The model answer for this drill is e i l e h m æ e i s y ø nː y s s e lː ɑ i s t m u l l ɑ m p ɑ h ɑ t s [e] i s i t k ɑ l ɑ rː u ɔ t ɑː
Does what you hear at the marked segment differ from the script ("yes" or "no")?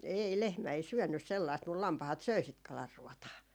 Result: yes